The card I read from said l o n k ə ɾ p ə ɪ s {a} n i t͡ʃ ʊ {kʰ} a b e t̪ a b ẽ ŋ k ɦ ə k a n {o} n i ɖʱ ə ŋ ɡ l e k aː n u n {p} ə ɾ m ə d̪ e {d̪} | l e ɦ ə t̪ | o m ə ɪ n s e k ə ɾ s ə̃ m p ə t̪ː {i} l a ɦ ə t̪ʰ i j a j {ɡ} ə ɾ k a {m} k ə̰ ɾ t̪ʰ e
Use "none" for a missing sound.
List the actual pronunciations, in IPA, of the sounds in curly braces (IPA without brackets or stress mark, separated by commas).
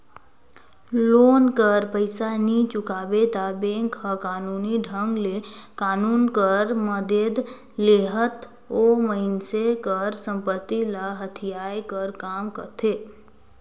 a, k, u, k, d̪, i, k, m